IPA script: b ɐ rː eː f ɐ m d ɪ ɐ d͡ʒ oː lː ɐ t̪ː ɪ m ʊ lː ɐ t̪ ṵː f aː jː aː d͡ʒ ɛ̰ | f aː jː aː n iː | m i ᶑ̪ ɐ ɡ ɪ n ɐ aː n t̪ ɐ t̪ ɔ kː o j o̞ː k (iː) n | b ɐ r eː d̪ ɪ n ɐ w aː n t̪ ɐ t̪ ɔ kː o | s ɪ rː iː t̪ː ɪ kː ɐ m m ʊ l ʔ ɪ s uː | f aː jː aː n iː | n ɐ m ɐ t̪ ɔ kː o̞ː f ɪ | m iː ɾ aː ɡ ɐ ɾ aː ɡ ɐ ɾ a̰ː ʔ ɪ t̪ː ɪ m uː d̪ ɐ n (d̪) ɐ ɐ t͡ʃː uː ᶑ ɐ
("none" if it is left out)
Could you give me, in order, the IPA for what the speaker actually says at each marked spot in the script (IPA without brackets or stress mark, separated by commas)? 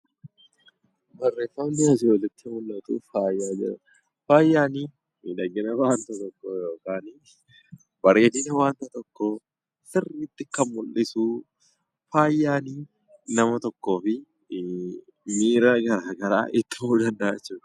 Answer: aː, d̪